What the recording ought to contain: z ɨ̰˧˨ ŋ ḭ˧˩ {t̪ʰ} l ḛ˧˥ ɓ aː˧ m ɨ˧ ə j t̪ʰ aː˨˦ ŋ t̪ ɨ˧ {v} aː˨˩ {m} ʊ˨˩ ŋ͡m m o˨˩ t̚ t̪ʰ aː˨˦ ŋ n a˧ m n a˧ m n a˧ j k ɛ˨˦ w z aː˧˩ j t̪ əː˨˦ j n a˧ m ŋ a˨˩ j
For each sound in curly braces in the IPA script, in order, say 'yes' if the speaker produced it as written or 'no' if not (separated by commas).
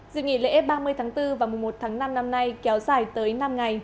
no, yes, yes